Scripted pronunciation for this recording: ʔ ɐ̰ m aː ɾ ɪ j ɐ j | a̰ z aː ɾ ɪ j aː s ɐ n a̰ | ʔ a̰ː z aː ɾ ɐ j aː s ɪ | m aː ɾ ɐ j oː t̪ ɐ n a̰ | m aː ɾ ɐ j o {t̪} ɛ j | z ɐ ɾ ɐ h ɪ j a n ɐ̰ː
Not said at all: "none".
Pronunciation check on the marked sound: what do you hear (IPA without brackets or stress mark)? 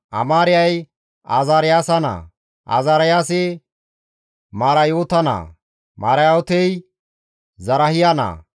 t̪